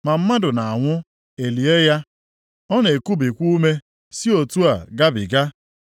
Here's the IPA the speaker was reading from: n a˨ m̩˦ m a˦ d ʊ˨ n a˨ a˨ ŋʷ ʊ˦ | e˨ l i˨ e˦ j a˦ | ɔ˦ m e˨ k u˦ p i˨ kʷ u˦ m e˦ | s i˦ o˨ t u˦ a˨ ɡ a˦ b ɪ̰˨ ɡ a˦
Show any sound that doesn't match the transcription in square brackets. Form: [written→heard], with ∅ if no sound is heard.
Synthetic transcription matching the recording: [n→m] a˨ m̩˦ m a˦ d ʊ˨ n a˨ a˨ ŋʷ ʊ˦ | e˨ l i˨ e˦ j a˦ | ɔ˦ [m→n] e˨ k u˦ [p→b] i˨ kʷ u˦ m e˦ | s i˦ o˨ t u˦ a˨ ɡ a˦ b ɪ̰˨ ɡ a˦